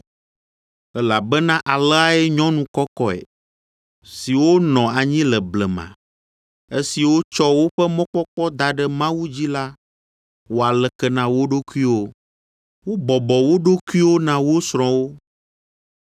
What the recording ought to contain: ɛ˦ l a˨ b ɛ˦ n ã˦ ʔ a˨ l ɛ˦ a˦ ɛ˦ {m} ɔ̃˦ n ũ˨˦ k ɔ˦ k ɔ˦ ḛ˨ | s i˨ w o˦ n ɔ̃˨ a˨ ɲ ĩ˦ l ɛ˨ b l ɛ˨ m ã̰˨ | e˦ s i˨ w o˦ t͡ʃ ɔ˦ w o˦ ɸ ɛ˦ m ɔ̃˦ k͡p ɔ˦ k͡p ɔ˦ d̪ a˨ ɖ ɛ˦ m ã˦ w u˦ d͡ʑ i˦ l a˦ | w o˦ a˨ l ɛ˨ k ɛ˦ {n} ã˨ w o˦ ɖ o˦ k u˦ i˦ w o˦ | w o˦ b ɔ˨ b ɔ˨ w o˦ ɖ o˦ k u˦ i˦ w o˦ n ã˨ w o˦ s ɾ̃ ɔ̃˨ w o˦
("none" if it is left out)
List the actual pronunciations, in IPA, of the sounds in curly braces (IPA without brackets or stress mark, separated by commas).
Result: ɲ, n